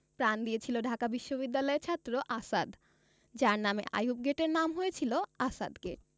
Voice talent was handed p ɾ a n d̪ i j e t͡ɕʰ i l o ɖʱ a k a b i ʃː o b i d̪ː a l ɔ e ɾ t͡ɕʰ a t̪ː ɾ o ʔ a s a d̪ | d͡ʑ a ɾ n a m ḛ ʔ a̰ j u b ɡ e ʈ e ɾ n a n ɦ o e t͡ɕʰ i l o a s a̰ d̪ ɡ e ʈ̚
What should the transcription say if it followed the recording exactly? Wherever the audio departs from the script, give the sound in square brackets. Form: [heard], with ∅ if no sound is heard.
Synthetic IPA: p ɾ a n d̪ i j e t͡ɕʰ i l o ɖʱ a k a b i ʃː o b i d̪ː a l ɔ e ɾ t͡ɕʰ a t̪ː ɾ o ʔ a s a d̪ | d͡ʑ a ɾ n a m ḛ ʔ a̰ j u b ɡ e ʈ e ɾ n a [m] ɦ o e t͡ɕʰ i l o a s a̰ d̪ ɡ e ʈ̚